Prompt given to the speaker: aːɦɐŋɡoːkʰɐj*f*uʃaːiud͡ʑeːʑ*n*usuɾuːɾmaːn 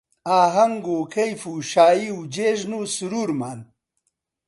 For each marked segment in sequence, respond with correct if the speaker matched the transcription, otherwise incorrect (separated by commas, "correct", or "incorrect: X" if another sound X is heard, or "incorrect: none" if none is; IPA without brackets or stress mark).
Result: correct, correct